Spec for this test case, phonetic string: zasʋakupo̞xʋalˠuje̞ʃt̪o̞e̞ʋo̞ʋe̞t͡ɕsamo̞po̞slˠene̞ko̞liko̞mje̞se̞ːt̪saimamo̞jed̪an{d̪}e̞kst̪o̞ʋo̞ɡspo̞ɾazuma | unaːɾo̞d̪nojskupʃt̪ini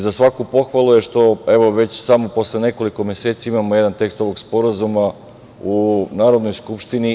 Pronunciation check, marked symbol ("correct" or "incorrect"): incorrect